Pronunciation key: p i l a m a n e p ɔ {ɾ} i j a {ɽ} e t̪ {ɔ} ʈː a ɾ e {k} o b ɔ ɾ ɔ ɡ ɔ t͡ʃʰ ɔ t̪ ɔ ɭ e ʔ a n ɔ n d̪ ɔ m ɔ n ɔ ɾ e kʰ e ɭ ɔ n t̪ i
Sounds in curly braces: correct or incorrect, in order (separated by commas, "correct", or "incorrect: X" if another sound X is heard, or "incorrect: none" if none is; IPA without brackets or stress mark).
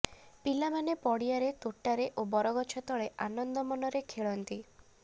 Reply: incorrect: ɽ, incorrect: ɾ, incorrect: o, incorrect: ʔ